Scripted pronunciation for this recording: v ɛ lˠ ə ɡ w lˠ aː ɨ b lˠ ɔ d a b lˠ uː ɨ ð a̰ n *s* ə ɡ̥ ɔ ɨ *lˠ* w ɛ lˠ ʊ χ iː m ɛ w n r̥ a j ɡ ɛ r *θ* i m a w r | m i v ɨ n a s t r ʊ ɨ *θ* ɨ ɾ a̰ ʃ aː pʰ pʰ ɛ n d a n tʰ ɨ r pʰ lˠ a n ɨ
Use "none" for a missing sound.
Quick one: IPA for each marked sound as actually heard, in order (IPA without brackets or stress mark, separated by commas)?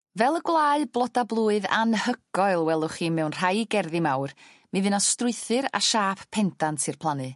h, lˠ, ð, θ